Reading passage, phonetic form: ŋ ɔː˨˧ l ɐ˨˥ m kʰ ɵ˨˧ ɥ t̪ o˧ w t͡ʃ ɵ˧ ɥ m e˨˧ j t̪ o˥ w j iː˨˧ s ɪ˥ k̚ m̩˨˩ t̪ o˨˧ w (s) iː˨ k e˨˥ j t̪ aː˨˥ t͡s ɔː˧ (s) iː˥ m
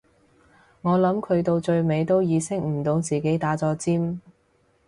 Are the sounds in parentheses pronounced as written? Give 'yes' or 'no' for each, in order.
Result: no, no

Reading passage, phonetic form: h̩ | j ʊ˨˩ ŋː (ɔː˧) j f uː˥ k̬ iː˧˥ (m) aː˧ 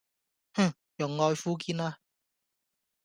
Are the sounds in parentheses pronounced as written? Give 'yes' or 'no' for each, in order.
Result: yes, no

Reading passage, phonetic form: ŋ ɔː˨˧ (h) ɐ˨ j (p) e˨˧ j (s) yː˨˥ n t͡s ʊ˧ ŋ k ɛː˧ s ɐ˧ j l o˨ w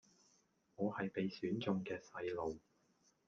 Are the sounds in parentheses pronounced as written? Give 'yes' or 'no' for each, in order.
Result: yes, yes, yes

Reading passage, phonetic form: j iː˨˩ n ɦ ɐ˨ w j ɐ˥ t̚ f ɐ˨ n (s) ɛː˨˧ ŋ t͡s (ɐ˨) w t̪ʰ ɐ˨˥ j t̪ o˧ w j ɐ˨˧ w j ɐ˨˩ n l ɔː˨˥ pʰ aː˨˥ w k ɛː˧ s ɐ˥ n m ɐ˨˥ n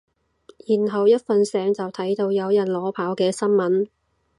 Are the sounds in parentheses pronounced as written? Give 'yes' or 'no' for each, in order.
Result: yes, yes

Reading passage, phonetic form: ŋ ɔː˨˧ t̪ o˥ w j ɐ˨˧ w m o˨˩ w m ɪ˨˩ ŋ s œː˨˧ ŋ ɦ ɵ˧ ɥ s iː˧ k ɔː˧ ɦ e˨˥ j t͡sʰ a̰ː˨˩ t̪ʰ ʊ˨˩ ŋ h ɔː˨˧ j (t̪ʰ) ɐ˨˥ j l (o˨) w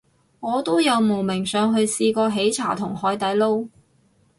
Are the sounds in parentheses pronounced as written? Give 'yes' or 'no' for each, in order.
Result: no, no

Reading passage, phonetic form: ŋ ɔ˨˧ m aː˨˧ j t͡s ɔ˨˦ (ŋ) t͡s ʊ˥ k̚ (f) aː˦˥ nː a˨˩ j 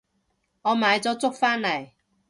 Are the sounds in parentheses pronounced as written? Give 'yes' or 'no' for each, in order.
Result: no, yes

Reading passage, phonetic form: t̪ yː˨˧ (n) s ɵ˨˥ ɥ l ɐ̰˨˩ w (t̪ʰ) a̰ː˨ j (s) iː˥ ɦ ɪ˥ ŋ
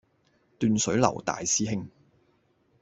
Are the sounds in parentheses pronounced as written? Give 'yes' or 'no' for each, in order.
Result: yes, no, yes

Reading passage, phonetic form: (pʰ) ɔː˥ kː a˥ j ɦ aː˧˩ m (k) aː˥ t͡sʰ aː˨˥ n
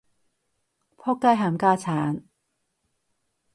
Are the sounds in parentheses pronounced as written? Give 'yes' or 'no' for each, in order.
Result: yes, yes

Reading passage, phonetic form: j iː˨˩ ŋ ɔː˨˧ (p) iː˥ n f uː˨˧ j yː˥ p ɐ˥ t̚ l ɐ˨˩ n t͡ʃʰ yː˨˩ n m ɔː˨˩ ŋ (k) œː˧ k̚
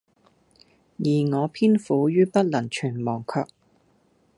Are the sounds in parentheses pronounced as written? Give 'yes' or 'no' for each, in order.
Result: no, no

